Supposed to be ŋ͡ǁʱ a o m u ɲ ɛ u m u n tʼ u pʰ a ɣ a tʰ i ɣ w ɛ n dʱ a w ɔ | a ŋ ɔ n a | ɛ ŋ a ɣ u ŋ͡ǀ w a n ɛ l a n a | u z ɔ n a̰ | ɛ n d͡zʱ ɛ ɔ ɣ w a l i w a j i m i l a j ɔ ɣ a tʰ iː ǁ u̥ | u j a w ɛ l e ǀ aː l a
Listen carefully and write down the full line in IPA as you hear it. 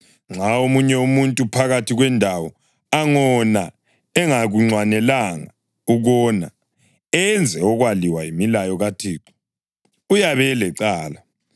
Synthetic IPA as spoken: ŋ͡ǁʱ a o m u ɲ ɛ u m u n tʼ u pʰ a ɣ a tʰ i ɣ w ɛ n dʱ a w ɔ | a ŋ ɔ n a | ɛ ŋ a ɣ u ŋ͡ǀ w a n ɛ l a ŋ a | u ɣ ɔ n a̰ | ɛ n d͡zʱ ɛ ɔ ɣ w a l i w a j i m i l a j ɔ ɣ a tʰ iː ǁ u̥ | u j a β ɛ l ɛ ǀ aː l a